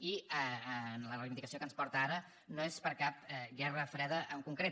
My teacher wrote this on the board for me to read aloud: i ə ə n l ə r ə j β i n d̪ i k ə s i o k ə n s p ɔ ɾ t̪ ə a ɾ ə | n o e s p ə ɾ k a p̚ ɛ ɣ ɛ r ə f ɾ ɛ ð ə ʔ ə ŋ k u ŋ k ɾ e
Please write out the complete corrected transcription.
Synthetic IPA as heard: i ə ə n l ə r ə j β i n d̪ i k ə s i o k ə n s p ɔ ɾ t̪ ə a ɾ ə | n o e s p ə ɾ k a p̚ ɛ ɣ ɛ r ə f ɾ ɛ ð ə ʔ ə ŋ k u ŋ k ɾ e